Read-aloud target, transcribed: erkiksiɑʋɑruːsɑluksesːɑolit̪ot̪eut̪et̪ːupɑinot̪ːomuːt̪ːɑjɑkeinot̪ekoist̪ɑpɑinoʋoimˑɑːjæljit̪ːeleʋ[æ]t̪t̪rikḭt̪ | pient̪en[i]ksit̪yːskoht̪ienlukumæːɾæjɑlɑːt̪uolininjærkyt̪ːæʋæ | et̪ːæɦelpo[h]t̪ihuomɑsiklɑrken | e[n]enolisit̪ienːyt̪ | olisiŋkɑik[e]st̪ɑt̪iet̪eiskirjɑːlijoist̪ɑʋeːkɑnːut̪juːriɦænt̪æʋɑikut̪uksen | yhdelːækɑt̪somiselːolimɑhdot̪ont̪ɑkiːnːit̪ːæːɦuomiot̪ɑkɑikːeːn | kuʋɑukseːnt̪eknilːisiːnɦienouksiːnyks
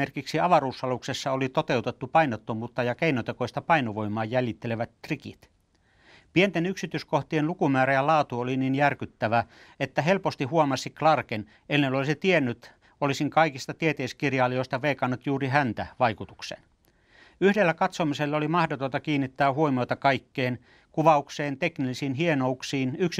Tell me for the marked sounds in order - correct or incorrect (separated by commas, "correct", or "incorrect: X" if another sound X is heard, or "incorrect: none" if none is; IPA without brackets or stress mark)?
correct, incorrect: y, incorrect: s, incorrect: nː, incorrect: i